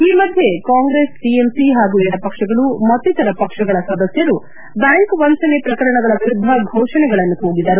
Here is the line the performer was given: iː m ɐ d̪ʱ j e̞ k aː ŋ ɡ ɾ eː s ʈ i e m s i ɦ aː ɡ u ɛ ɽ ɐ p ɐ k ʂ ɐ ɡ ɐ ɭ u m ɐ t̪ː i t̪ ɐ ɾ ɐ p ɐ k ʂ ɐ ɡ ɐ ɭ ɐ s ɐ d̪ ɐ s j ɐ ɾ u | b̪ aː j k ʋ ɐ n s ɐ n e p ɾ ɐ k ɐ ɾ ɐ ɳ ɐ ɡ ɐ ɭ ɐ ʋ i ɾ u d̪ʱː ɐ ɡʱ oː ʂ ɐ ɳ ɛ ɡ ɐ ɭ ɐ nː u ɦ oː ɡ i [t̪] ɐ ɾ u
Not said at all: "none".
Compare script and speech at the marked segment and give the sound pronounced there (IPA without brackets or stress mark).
d̪